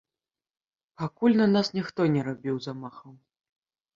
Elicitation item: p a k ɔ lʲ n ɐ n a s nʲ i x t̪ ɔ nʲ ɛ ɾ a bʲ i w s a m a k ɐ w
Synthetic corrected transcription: p a k u lʲ n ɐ n a s nʲ i x t̪ ɔ nʲ ɛ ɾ a bʲ i w z a m a x ɐ w